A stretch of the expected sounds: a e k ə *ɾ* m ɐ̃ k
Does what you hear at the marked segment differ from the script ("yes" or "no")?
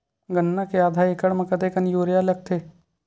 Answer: yes